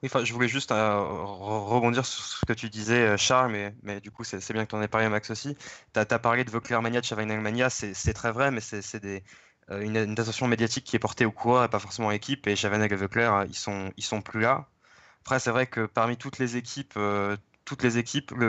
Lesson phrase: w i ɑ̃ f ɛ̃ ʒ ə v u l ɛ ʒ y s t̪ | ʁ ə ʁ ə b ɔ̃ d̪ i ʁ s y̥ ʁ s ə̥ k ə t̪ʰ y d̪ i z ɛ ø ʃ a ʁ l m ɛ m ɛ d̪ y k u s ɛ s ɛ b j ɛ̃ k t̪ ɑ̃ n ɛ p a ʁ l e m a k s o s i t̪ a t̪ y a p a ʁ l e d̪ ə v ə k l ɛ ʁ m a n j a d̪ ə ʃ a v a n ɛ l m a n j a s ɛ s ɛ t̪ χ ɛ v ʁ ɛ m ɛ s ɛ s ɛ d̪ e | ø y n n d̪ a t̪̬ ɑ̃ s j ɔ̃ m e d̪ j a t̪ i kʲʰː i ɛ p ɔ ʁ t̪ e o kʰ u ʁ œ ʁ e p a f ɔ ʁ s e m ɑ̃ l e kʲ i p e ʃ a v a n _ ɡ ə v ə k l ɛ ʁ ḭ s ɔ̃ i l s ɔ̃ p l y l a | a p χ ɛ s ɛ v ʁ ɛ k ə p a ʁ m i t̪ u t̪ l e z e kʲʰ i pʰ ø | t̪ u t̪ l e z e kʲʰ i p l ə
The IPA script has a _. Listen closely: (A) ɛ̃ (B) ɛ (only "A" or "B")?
B